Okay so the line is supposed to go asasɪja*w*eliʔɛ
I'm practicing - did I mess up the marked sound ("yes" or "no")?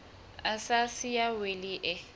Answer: no